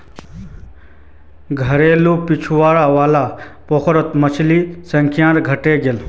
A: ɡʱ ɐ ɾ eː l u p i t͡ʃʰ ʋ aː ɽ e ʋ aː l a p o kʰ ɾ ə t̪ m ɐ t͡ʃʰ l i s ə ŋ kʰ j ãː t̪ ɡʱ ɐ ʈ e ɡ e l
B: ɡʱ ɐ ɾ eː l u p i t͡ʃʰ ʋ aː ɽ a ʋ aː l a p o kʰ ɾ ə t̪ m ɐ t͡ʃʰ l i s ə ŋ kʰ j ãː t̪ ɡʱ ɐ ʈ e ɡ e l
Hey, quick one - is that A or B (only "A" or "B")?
B